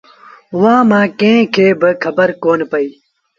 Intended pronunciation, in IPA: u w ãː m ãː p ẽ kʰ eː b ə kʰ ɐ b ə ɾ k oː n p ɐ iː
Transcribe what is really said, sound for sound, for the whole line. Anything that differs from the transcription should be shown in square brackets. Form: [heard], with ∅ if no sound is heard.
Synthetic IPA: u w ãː m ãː [k] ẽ kʰ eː b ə kʰ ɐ b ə ɾ k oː n p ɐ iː